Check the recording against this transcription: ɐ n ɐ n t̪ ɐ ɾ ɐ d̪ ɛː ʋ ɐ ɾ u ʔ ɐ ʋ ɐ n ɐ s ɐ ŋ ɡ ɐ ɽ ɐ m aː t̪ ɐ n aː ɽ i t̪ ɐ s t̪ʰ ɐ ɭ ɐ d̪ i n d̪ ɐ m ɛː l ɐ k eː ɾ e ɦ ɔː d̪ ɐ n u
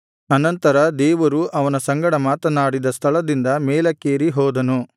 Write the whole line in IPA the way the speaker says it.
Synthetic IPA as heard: ɐ n ɐ n t̪ ɐ ɾ ɐ d̪ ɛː ʋ ɐ ɾ u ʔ ɐ ʋ ɐ n ɐ s ɐ ŋ ɡ ɐ ɽ ɐ m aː t̪ ɐ n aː ɽ i d̪ ɐ s t̪ʰ ɐ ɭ ɐ d̪ i n d̪ ɐ m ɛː l ɐ k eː ɾ i ɦ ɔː d̪ ɐ n u

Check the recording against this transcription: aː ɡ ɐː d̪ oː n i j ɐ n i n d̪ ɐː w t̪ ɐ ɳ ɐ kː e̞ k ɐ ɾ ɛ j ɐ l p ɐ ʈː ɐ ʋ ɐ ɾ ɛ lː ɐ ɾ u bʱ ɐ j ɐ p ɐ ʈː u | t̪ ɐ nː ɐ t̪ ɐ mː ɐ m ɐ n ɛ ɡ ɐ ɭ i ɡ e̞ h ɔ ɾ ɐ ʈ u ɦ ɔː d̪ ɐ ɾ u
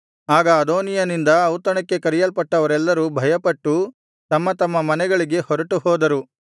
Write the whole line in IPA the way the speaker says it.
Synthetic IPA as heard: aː ɡ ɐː d̪ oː n i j ɐ n i n d̪ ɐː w t̪ ɐ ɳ ɐ kː e̞ k ɐ ɾ i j ɐ l p ɐ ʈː ɐ ʋ ɐ ɾ ɛ lː ɐ ɾ u bʱ ɐ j ɐ p ɐ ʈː u | t̪ ɐ mː ɐ t̪ ɐ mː ɐ m ɐ n ɛ ɡ ɐ ɭ i ɡ e̞ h ɔ ɾ ɐ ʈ u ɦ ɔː d̪ ɐ ɾ u

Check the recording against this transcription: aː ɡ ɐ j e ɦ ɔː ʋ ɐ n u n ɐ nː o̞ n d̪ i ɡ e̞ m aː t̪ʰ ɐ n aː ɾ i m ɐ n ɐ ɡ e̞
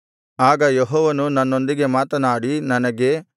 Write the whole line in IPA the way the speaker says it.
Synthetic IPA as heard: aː ɡ ɐ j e ɦ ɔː ʋ ɐ n u n ɐ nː o̞ n d̪ i ɡ e̞ m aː t̪ ɐ n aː ɽ i n ɐ n ɐ ɡ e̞

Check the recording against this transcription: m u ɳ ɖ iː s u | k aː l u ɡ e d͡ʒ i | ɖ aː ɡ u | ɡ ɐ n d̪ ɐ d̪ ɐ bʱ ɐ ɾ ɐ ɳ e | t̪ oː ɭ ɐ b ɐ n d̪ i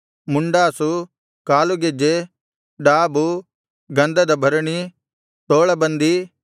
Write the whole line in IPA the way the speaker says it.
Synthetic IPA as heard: m u ɳ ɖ aː s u | k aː l u ɡ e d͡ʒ e | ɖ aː b u | ɡ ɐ n d̪ ɐ d̪ ɐ bʱ ɐ ɾ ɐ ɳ i | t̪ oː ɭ ɐ b ɐ n d̪ i

